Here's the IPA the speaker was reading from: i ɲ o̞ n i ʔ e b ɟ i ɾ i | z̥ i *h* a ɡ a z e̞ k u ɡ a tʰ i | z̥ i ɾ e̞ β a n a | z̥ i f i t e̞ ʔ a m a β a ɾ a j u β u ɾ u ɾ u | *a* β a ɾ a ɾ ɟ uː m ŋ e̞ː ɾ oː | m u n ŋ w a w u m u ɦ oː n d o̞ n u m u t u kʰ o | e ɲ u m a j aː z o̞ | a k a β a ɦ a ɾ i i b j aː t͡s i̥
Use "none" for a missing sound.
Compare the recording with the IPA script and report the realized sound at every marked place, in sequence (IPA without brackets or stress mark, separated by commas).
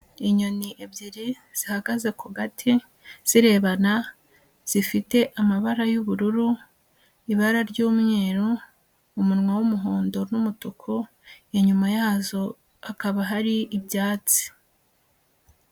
h, i